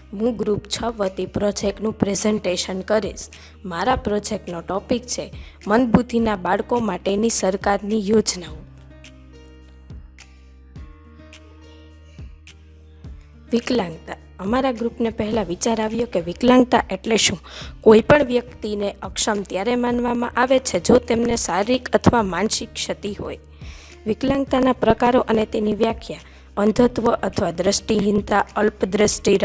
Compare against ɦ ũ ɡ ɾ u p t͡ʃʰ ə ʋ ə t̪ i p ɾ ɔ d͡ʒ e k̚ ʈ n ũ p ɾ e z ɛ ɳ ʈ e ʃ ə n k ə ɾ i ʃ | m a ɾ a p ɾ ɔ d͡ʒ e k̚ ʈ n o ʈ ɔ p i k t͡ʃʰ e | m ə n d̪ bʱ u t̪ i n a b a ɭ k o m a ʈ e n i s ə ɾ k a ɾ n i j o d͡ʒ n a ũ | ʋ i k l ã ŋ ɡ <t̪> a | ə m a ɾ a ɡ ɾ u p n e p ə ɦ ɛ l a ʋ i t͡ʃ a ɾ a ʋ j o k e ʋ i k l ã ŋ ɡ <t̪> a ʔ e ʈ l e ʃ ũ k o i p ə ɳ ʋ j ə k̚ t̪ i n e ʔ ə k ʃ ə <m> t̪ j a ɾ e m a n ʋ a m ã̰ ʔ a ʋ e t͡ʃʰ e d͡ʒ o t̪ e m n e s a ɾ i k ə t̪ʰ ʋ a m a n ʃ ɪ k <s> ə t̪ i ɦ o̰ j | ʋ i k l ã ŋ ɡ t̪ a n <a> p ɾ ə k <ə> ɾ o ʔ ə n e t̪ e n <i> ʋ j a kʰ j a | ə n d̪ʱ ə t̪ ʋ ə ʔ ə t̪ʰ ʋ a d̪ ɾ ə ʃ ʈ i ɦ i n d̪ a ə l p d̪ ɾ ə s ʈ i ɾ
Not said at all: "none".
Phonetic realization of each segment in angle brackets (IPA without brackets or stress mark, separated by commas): t̪, t̪, m, ʃ, a, a, i